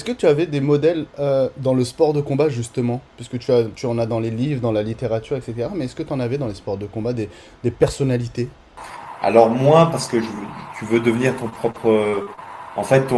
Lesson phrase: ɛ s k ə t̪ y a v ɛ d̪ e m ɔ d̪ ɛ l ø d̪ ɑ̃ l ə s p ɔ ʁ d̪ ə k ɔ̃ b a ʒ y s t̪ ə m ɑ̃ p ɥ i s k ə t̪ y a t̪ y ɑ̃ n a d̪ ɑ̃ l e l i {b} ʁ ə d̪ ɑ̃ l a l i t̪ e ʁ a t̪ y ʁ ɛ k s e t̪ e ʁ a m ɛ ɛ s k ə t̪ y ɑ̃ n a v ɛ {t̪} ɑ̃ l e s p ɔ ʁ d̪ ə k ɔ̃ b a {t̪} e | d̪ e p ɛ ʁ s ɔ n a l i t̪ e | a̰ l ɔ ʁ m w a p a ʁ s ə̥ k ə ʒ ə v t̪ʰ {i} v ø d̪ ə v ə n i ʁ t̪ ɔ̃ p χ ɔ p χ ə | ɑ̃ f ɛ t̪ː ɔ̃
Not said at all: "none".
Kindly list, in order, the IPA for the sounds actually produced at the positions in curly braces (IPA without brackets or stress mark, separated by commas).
v, d̪, d̪, y